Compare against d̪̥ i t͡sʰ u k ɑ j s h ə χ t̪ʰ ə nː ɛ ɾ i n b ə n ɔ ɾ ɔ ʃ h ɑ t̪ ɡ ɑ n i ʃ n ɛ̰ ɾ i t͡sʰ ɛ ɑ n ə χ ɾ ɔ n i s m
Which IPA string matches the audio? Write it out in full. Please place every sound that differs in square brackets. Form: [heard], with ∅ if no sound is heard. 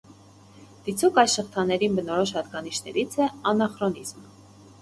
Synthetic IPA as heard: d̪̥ i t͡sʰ u k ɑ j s [ʃ] ə χ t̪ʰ [ɑ] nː ɛ ɾ i n b ə n ɔ ɾ ɔ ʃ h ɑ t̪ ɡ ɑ n i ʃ n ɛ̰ ɾ i t͡sʰ ɛ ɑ n [ɑ] χ ɾ ɔ n i [z] m